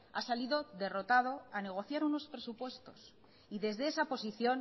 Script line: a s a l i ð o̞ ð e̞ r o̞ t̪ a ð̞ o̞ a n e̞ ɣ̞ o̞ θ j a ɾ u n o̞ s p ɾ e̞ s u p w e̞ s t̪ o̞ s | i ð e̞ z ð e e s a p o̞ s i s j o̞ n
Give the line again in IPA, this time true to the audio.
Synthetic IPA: a s a l i ð o̞ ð e̞ r o̞ t̪ a ð̞ o̞ a n e̞ ɣ̞ o̞ θ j a ɾ u n o̞ s p ɾ e̞ s u p w e̞ s t̪ o̞ s | i ð e̞ z ð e e s a p o̞ s i θ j o̞ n